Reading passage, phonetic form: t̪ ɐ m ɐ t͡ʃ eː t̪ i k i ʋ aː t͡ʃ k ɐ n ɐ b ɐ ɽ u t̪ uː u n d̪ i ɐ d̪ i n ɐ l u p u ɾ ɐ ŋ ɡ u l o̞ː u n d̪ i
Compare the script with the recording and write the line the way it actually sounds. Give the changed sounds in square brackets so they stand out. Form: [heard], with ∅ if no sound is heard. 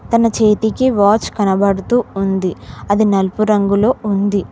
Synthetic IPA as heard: t̪ ɐ [n] ɐ t͡ʃ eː t̪ i k i ʋ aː t͡ʃ k ɐ n ɐ b ɐ ɽ u t̪ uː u n d̪ i ɐ d̪ i n ɐ l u p u ɾ ɐ ŋ ɡ u l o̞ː u n d̪ i